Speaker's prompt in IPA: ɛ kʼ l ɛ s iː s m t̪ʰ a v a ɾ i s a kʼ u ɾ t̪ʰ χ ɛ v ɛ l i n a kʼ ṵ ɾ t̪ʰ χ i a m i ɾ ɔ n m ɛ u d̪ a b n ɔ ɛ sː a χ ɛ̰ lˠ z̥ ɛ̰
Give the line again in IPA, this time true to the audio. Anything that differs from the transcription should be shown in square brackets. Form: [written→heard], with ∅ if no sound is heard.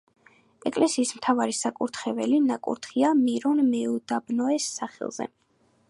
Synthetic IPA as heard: ɛ kʼ l ɛ s iː s m t̪ʰ a v a ɾ i s a kʼ u ɾ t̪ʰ χ ɛ v ɛ l i n a kʼ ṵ ɾ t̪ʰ χ i a m i ɾ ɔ n m ɛ u d̪ a b n ɔ ɛ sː a χ ɛ̰ lˠ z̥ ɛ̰